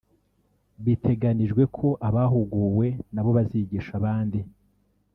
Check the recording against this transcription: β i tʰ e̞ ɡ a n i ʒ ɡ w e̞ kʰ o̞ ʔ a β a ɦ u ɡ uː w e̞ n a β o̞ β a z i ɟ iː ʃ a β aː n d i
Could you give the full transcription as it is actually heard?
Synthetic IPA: β i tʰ e̞ ɡ a n i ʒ ɡ w e̞ kʰ o̞ ʔ a β a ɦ u ɡ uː w e̞ n a β o̞ β a z i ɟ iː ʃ a β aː n d i